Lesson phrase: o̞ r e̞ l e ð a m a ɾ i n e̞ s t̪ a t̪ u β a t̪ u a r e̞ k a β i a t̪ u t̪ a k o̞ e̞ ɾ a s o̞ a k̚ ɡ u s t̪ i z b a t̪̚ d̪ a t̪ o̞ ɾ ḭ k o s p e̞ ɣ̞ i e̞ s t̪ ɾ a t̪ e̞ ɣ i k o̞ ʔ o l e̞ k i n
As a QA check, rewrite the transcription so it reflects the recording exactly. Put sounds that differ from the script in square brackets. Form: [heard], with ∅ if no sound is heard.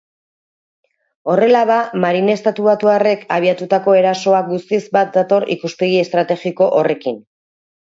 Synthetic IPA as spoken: o̞ r e̞ l [a] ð a m a ɾ i n e̞ s t̪ a t̪ u β a t̪ u a r e̞ k a β i a t̪ u t̪ a k o̞ e̞ ɾ a s o̞ a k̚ ɡ u s t̪ i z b a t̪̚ d̪ a t̪ o̞ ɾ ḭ k [u] s p e̞ ɣ̞ i e̞ s t̪ ɾ a t̪ e̞ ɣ i k o̞ ʔ o [r] e̞ k i n